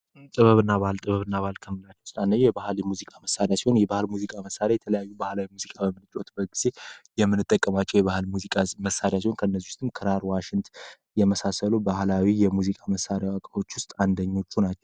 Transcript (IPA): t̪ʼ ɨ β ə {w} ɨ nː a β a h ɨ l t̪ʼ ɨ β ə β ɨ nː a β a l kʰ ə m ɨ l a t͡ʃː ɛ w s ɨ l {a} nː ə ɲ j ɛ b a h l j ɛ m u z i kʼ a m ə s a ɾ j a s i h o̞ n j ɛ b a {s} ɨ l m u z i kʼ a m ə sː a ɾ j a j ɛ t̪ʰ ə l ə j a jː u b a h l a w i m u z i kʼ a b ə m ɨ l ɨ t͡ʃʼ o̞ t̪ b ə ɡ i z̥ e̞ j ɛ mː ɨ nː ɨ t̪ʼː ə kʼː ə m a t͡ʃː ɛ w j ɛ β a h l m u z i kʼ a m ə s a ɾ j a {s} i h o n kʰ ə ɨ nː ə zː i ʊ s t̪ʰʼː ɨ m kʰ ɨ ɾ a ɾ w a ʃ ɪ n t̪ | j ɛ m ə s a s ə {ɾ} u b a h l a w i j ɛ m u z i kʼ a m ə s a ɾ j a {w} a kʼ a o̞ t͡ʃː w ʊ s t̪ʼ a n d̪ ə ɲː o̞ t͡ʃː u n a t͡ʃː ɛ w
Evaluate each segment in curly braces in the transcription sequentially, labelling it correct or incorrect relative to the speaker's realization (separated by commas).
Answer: incorrect, correct, incorrect, correct, incorrect, correct